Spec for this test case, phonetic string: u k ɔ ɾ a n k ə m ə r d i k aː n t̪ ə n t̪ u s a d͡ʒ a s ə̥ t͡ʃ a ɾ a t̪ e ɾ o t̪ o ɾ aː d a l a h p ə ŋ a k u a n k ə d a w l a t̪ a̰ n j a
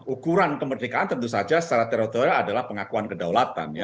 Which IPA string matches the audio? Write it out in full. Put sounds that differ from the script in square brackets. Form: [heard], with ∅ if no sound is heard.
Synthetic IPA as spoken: u k [u] ɾ a n k ə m ə r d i k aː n t̪ ə n t̪ u s a d͡ʒ a s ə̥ t͡ʃ a ɾ a t̪ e ɾ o t̪ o ɾ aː d a l a h p ə ŋ a k u a n k ə d a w l a t̪ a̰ n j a